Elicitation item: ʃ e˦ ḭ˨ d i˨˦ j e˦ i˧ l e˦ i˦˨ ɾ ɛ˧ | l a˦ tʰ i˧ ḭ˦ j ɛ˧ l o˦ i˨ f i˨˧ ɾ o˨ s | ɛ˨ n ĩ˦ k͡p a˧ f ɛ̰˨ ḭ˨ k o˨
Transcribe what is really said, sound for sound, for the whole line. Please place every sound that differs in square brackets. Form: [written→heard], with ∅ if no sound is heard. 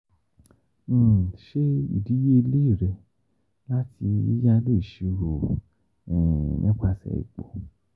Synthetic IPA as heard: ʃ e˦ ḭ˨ d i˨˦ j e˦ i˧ l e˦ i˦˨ ɾ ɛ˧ | l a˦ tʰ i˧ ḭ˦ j [ɛ˧→a˧] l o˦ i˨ [f→ʃ] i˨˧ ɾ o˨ [s→∅] | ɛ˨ n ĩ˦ k͡p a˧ [f→s] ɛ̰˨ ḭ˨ [k→k͡p] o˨